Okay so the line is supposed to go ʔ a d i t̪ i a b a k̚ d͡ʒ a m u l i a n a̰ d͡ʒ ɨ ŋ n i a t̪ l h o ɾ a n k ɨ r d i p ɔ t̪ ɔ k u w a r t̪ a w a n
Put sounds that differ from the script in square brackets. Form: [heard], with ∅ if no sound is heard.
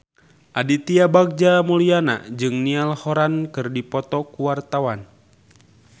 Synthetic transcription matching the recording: ʔ a d i t̪ i a b a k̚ d͡ʒ a m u l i a n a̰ d͡ʒ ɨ ŋ n i a [∅] l h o ɾ a n k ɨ r d i p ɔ t̪ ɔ k u w a r t̪ a w a n